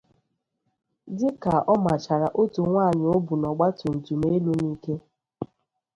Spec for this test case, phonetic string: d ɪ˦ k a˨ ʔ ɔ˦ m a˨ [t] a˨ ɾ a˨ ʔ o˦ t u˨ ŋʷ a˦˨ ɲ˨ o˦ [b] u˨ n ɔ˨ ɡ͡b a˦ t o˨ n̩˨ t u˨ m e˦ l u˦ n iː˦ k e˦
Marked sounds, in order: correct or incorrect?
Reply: incorrect: t͡ʃ, correct

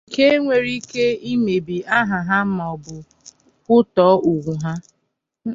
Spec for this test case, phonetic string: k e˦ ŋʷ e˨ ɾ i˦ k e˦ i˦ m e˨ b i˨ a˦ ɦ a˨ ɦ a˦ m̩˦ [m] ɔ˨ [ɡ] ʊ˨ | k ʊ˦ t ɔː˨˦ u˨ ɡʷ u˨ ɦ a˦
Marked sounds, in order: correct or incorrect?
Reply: correct, incorrect: b

